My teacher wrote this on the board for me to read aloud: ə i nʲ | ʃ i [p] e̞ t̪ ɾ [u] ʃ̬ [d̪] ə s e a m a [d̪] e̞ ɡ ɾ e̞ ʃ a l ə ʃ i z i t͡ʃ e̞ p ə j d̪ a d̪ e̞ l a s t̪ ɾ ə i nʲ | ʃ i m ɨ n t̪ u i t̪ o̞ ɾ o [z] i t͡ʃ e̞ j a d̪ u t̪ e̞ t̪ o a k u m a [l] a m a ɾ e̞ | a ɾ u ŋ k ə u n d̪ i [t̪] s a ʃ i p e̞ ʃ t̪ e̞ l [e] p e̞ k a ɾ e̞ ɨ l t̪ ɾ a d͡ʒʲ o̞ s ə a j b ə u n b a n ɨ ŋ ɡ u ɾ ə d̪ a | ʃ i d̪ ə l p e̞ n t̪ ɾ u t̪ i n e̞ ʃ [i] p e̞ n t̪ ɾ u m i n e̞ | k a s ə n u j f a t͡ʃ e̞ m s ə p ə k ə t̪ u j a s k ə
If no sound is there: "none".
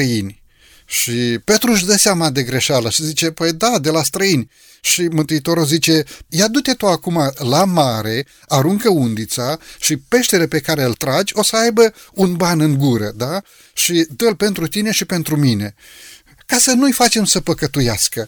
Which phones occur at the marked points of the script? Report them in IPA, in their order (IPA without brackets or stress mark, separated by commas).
p, u, d̪, d̪, z, l, t̪, e, i